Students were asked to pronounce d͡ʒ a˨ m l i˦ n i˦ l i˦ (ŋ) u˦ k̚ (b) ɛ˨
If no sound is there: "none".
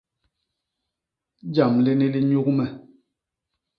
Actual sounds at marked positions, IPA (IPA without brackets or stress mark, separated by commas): ɲ, m